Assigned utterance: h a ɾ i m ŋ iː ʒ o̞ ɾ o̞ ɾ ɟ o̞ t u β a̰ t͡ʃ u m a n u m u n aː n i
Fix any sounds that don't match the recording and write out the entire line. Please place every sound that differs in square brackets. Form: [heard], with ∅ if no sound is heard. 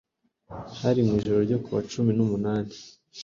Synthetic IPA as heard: h a ɾ i m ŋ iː ʒ o̞ ɾ o̞ ɾ ɟ o̞ [k] u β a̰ t͡ʃ u m [i] n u m u n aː n i